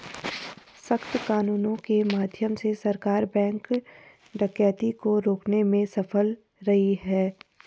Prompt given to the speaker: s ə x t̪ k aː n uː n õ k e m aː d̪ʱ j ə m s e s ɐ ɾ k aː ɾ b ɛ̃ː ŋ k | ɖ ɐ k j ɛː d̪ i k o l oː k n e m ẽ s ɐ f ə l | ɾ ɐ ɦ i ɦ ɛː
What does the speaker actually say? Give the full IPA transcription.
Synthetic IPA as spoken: s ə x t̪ k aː n uː n õ k e m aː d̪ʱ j ə m s e s ɐ ɾ k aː ɾ b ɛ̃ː ŋ k | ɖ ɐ k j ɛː t̪ i k o ɾ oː k n e m ẽ s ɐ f ə l | ɾ ɐ ɦ i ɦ ɛː

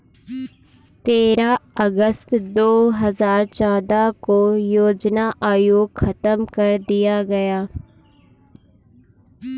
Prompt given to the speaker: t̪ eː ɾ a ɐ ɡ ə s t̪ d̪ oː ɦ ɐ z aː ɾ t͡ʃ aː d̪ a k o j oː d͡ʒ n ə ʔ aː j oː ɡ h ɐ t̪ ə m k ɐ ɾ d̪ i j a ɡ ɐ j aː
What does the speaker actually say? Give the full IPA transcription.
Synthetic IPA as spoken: t̪ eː ɾ a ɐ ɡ ə s t̪ d̪ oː ɦ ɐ z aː ɾ t͡ʃ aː d̪ a k o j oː d͡ʒ n a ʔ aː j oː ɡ x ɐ t̪ ə m k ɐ ɾ d̪ i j a ɡ ɐ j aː

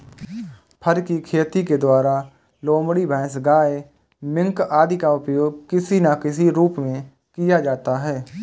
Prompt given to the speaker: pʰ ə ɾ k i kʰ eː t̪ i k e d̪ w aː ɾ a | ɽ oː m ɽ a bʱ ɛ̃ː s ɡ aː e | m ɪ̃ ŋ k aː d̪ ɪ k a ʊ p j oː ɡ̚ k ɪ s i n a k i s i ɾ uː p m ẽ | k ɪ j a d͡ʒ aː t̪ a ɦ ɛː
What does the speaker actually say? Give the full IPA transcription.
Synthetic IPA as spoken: pʰ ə ɾ k i kʰ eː t̪ i k e d̪ w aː ɾ a | l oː m ɽ i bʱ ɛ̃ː s ɡ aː e | m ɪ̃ ŋ k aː d̪ i k a ʊ p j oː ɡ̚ k ɪ s i n a k ɪ s i ɾ uː p m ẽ | k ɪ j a d͡ʒ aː t̪ a ɦ ɛː

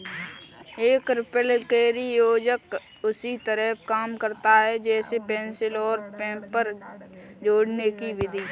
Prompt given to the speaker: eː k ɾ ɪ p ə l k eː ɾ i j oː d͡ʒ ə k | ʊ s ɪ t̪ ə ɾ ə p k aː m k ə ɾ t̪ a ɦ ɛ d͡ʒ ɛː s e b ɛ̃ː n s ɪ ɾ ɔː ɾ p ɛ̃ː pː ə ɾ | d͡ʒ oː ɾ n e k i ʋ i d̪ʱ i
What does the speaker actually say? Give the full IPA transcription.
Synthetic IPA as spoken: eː k ɾ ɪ p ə l k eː ɾ i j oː d͡ʒ ə k | ʊ s i t̪ ə ɾ ə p k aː m k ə ɾ t̪ a ɦ ɛ d͡ʒ ɛː s e p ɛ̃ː n s ɪ l ɔː ɾ p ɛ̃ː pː ə ɾ | d͡ʒ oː ɽ n e k i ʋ ɪ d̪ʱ i

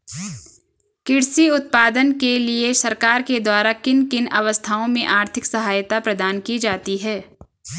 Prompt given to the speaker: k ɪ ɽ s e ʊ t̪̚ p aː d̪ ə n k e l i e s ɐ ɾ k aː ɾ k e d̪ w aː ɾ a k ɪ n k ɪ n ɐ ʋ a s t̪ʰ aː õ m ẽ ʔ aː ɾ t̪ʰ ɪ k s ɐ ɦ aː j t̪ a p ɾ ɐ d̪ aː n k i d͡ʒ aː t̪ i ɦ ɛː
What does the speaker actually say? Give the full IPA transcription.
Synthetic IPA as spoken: k ɪ ɽ s i ʊ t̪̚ p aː d̪ ə n k e l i e s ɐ ɾ k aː ɾ k e d̪ w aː ɾ a k ɪ n k ɪ n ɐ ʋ ə s t̪ʰ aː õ m ẽ ʔ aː ɾ t̪ʰ ɪ k s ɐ ɦ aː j t̪ a p ɾ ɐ d̪ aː n k i d͡ʒ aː t̪ i ɦ ɛː

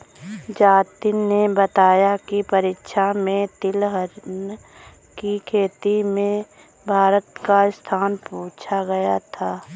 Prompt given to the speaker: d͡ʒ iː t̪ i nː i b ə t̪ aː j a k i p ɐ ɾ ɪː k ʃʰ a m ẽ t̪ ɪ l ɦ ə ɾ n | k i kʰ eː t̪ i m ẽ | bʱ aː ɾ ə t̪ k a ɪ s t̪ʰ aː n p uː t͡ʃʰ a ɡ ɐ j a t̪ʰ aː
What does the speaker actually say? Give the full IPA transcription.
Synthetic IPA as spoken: d͡ʒ aː t̪ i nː e b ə t̪ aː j a k i p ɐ ɾ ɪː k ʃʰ a m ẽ t̪ ɪ l ɦ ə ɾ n | k i kʰ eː t̪ i m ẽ | bʱ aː ɾ ə t̪ k a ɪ s t̪ʰ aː n p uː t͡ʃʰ a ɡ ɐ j a t̪ʰ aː

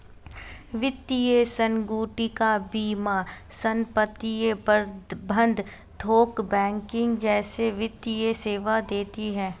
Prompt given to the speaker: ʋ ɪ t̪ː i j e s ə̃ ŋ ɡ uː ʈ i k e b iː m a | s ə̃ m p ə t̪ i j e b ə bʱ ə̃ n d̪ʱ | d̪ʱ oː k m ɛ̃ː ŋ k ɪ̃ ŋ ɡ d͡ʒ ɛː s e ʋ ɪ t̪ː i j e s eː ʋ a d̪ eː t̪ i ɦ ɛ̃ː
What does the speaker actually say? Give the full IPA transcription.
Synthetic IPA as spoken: ʋ ɪ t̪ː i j e s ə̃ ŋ ɡ uː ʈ i k a b iː m a | s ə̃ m p ə t̪ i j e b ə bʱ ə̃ n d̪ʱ | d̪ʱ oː k b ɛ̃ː ŋ k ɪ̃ ŋ ɡ d͡ʒ ɛː s e ʋ ɪ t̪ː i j e s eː ʋ a d̪ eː t̪ i ɦ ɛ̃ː

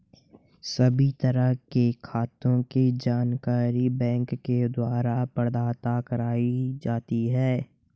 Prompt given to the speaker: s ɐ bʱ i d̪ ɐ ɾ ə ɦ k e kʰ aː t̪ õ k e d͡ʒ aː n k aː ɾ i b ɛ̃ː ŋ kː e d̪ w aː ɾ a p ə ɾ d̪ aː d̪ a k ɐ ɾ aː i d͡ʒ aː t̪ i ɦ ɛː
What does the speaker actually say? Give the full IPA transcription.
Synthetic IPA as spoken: s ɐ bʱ i t̪ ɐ ɾ ə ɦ k e kʰ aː t̪ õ k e d͡ʒ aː n k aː ɾ i b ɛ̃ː ŋ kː e d̪ w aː ɾ a p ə ɾ d̪ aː t̪ a k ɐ ɾ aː i d͡ʒ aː t̪ i ɦ ɛː

